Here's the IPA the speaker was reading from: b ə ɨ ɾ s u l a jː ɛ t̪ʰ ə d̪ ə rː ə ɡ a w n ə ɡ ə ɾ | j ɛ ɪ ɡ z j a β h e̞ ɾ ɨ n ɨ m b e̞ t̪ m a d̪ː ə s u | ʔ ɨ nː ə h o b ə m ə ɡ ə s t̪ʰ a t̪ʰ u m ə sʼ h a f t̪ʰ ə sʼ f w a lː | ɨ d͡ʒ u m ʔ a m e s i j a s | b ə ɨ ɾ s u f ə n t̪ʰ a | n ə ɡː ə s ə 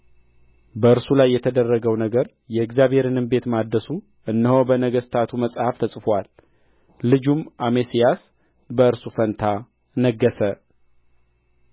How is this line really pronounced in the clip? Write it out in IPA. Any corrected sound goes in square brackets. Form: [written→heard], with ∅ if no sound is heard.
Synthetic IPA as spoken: b ə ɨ ɾ s u l a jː ɛ t̪ʰ ə d̪ ə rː ə ɡ [a→ə] w n ə ɡ ə ɾ | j ɛ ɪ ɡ z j a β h e̞ ɾ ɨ n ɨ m b e̞ t̪ m a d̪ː ə s u | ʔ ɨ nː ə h o b ə [m→n] ə ɡ ə s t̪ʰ a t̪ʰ u m ə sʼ h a f t̪ʰ ə sʼ f w a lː | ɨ d͡ʒ u m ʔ a m e s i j a s | b ə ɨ ɾ s u f ə n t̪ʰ a | n ə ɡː ə s ə